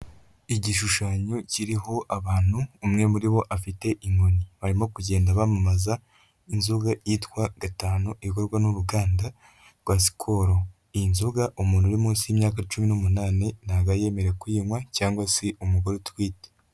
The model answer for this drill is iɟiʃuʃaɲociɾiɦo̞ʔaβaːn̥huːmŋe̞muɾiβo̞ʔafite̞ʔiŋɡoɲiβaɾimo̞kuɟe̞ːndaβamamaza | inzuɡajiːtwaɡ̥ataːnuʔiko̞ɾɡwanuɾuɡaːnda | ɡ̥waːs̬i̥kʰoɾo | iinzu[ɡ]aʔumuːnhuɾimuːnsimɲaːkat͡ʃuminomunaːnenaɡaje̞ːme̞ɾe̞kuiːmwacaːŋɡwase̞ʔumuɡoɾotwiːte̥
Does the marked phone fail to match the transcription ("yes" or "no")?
no